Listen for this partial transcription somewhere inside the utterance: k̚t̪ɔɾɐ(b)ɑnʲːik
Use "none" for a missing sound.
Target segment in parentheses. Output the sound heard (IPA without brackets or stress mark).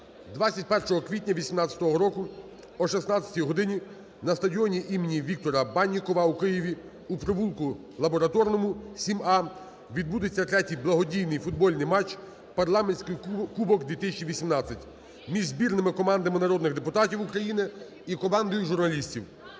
b